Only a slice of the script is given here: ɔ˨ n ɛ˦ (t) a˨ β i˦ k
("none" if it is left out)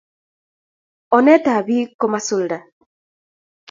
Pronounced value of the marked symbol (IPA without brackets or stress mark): t